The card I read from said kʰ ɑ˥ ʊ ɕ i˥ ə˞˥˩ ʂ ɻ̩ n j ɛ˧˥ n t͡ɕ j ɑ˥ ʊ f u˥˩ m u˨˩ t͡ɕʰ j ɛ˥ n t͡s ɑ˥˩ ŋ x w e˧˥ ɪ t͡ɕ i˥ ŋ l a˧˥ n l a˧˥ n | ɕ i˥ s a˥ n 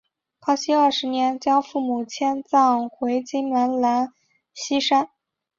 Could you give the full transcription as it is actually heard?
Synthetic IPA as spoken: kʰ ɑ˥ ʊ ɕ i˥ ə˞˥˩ ʂ ɻ̩ n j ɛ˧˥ n t͡ɕ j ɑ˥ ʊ f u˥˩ m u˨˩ t͡ɕʰ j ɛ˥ n t͡s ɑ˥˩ ŋ x w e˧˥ ɪ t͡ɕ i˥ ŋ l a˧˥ n l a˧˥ n | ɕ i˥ ʂ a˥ n